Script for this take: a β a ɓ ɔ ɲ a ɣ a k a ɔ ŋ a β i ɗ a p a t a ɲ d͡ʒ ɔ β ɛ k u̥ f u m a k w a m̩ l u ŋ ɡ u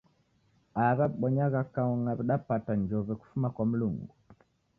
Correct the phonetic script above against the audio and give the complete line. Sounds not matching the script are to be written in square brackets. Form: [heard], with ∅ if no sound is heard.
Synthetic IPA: a β a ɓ ɔ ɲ a ɣ a k a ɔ ŋ a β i ɗ a p a t a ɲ d͡ʒ ɔ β ɛ k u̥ f u m a k w a m̩ l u ŋ ɡ u